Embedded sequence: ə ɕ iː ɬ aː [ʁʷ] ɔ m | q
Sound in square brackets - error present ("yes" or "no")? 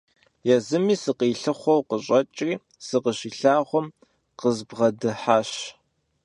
no